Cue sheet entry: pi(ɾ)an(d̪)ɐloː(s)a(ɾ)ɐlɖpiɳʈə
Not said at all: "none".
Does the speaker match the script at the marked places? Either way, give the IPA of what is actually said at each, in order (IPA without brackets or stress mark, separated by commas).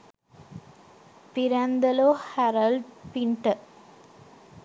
ɾ, d̪, h, ɾ